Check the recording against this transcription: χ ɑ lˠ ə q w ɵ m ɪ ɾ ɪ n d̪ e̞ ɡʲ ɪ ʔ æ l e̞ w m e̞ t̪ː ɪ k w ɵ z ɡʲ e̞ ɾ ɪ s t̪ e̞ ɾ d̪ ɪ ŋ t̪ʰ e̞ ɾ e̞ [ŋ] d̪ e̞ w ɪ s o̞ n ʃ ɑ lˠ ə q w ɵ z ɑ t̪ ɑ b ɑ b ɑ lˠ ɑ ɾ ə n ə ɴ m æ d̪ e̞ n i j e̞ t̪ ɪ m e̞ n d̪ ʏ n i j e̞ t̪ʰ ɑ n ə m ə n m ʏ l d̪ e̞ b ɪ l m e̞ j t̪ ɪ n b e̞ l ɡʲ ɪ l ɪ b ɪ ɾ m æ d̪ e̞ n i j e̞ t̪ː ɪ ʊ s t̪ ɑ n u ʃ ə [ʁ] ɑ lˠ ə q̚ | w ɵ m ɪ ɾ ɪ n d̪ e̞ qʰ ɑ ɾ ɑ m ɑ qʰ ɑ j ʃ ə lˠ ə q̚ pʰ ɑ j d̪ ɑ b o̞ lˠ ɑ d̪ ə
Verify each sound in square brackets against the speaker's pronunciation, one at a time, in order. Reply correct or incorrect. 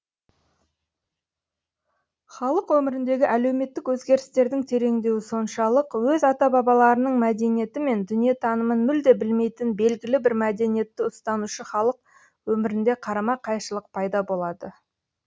correct, incorrect: χ

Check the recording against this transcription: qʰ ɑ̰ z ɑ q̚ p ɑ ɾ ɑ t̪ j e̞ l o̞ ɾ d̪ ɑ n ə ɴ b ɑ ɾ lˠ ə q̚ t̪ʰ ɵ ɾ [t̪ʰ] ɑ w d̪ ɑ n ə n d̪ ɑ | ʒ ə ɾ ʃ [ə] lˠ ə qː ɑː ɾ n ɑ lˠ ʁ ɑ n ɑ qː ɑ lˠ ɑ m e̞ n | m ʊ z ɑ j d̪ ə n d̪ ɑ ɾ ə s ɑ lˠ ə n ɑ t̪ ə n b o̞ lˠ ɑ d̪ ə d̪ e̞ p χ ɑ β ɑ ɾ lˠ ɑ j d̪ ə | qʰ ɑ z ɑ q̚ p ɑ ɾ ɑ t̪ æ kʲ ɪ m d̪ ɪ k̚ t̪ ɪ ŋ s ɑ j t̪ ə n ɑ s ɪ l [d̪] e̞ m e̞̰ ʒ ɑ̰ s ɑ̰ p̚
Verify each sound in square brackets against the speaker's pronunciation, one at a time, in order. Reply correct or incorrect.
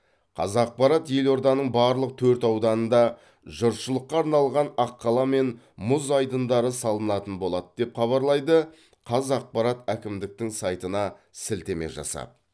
incorrect: t̪, correct, incorrect: t̪

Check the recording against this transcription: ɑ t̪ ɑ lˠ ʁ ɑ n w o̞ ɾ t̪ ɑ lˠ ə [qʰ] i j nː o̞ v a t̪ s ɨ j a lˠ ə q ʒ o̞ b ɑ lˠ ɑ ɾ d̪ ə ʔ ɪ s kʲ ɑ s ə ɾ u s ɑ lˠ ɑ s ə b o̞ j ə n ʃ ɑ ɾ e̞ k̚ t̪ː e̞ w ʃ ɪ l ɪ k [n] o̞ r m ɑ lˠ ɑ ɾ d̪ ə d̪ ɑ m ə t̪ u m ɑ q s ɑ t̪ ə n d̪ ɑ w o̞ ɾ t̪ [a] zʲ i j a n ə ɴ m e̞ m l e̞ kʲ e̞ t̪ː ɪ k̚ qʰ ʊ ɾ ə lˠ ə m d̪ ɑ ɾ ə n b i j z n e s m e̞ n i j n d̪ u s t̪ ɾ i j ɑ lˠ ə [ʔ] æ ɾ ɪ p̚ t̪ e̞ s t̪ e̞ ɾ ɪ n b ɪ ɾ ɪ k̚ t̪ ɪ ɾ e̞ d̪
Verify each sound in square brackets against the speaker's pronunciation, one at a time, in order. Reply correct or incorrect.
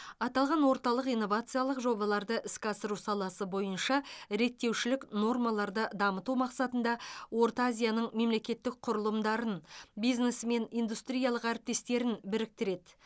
incorrect: q, correct, correct, incorrect: q

